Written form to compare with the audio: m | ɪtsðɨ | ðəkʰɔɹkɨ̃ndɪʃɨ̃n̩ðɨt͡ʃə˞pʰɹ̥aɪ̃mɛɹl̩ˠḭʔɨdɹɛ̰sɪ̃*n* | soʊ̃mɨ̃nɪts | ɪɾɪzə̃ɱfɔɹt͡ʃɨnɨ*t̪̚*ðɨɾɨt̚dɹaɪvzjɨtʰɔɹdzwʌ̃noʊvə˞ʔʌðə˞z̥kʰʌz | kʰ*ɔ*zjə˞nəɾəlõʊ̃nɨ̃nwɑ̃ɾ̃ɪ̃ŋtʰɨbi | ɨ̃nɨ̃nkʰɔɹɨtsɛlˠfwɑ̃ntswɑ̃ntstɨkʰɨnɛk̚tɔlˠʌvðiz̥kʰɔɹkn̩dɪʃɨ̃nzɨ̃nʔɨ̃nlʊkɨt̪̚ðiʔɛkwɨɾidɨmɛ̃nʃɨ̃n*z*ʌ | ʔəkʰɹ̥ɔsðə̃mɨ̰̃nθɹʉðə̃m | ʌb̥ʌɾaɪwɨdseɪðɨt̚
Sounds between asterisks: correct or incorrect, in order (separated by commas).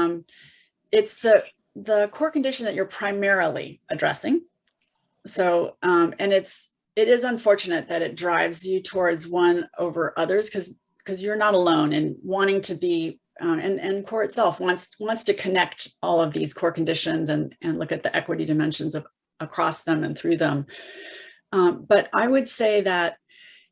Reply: incorrect, correct, incorrect, correct